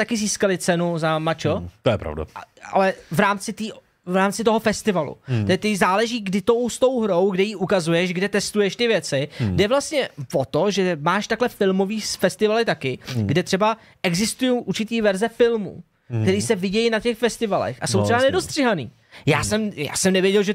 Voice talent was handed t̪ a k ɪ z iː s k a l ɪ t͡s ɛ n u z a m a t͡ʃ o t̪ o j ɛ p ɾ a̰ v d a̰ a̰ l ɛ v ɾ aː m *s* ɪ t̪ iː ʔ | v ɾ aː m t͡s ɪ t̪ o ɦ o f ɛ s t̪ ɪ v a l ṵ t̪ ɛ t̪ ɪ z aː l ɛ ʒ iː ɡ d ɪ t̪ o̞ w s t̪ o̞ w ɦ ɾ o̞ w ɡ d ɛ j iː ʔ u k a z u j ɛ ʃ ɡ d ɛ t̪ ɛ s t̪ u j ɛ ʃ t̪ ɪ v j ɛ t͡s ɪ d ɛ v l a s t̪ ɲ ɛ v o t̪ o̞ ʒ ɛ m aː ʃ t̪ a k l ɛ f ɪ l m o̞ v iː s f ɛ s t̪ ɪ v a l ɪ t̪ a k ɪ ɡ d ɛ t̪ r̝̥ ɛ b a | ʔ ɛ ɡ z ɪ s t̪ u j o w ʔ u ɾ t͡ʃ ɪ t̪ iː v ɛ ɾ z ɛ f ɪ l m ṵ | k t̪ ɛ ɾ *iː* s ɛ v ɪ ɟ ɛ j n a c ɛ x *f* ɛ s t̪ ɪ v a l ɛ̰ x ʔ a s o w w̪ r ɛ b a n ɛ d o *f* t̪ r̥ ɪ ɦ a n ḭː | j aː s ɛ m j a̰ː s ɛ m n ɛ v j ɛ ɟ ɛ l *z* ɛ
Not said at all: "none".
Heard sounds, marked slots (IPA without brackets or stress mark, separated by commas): t͡s, iː, f, s, ʒ